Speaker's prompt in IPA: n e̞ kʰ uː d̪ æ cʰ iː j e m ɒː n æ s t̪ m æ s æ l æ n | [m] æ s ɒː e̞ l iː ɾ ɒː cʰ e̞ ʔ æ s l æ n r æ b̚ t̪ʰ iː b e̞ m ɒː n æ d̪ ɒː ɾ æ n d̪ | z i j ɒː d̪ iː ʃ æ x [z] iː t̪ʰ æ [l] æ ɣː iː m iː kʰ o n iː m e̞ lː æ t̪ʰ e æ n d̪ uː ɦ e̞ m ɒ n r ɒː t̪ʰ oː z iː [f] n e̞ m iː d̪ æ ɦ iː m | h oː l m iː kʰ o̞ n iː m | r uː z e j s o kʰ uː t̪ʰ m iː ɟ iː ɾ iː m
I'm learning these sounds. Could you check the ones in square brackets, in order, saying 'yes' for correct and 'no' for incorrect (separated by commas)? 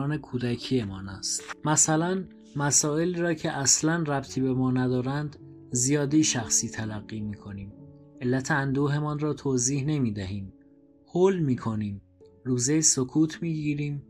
yes, no, yes, no